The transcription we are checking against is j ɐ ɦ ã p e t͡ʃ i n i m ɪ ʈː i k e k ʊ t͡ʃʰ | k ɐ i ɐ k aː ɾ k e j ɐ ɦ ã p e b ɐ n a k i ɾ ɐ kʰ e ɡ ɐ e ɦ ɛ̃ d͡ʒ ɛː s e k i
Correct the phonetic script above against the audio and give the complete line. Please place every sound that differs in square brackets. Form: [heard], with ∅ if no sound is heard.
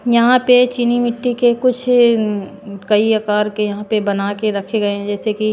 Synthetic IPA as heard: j ɐ ɦ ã p e t͡ʃ i n i m ɪ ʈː i k e k ʊ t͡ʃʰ | k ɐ i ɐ k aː ɾ k e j ɐ ɦ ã p e b ɐ n a k [e] ɾ ɐ kʰ e ɡ ɐ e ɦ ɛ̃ d͡ʒ ɛː s e k i